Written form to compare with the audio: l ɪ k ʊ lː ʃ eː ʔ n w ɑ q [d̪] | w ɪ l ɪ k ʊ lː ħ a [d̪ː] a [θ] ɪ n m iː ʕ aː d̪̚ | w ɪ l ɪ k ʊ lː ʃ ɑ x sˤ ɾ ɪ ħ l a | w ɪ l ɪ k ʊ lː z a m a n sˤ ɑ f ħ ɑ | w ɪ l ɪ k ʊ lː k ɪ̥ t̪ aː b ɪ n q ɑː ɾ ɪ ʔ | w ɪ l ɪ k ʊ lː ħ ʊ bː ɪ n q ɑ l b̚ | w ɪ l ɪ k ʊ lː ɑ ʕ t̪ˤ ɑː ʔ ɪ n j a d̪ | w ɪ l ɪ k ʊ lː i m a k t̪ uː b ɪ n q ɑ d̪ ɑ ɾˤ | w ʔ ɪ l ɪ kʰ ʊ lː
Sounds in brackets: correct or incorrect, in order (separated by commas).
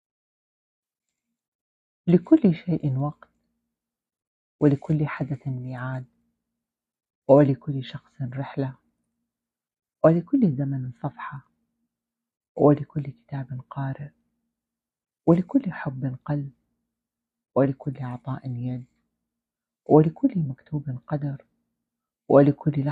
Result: incorrect, incorrect, correct